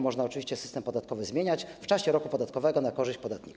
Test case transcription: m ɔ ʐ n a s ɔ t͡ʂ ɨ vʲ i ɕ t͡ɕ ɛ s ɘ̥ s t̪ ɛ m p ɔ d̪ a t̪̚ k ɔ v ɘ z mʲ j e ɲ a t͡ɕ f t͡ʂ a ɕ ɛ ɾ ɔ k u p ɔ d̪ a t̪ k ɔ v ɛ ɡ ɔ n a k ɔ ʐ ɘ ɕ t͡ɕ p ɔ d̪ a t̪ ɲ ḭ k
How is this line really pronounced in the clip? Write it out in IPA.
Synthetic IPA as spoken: m ɔ ʐ n a ɔ t͡ʂ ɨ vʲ i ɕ t͡ɕ ɛ s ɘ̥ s t̪ ɛ m p ɔ d̪ a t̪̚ k ɔ v ɘ z mʲ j e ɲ a t͡ɕ f t͡ʂ a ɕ ɛ ɾ ɔ k u p ɔ d̪ a t̪ k ɔ v ɛ ɡ ɔ n a k ɔ ʐ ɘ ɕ t͡ɕ p ɔ d̪ a t̪ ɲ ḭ k